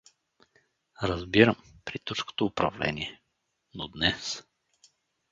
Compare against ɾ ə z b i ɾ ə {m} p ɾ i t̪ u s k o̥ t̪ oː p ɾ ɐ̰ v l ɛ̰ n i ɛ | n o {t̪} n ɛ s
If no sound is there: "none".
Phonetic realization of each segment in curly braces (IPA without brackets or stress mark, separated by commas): m, d̪